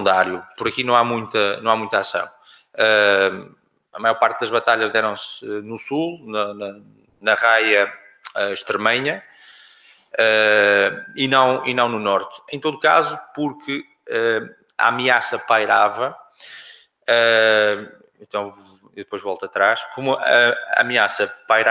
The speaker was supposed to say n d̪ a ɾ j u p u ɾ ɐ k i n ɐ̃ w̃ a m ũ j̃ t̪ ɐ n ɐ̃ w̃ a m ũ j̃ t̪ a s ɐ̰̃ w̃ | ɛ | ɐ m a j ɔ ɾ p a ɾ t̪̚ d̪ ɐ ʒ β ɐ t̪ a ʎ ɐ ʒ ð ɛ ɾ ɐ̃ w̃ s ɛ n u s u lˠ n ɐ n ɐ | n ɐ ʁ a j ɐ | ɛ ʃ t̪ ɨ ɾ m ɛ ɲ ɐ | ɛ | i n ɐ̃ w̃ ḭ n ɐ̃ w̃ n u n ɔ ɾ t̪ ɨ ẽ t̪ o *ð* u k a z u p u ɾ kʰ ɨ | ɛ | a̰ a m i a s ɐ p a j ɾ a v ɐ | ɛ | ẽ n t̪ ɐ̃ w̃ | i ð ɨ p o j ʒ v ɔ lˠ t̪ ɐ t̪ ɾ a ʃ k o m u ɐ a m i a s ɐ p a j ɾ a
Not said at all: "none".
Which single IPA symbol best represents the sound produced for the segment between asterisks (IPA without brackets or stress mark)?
ð